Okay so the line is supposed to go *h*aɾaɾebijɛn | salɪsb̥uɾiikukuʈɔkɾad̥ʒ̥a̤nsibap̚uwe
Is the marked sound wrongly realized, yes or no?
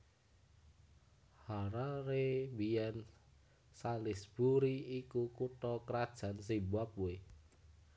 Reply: no